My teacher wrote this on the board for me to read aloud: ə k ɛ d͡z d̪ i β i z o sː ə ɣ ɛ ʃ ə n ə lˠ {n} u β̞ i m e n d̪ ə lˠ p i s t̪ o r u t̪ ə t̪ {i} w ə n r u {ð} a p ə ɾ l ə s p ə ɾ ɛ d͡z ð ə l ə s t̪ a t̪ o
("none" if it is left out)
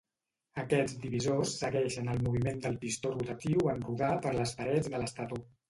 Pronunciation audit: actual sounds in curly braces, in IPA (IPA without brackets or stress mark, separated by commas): m, i, ð